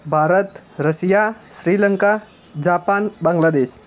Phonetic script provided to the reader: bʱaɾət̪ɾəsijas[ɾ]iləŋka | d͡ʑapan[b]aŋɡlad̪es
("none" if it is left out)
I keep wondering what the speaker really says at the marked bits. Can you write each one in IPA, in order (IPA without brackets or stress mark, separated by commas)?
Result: ɾ, b